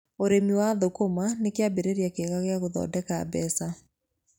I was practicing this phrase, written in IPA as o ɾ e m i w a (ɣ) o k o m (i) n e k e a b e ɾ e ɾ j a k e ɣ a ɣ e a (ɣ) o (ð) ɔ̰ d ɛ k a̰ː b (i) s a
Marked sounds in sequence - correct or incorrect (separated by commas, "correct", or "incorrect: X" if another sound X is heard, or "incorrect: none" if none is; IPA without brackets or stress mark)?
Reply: incorrect: ð, incorrect: a, correct, correct, incorrect: ɛ